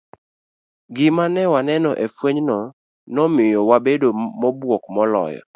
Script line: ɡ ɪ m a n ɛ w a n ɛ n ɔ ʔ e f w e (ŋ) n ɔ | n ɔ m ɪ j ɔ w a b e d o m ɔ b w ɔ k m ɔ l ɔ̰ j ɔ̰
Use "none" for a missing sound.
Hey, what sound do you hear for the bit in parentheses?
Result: ɲ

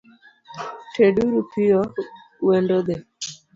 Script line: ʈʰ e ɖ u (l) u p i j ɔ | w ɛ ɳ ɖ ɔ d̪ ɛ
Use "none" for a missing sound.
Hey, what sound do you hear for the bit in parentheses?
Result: ɾ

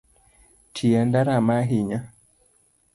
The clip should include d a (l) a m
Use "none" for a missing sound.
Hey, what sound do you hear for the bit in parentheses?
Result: ɾ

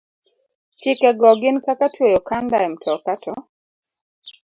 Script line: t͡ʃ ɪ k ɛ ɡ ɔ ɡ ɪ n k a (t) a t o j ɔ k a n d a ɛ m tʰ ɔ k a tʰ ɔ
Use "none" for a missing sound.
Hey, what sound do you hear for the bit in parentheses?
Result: k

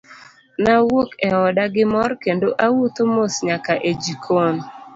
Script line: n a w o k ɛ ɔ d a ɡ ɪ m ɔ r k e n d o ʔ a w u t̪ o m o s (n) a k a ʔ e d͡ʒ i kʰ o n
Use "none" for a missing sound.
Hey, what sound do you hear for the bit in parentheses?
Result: ɲ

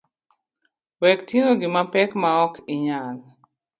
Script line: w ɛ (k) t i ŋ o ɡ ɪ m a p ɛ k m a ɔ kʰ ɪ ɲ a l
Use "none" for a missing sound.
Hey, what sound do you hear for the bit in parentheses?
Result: k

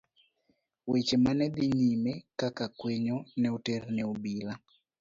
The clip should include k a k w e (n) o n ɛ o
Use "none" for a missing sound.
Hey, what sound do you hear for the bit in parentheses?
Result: ɲ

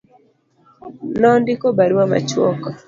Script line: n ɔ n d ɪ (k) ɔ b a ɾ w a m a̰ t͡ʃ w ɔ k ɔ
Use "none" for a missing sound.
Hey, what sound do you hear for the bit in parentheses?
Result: k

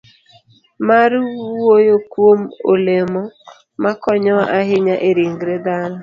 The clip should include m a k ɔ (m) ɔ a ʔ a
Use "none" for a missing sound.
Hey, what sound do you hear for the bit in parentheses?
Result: ɲ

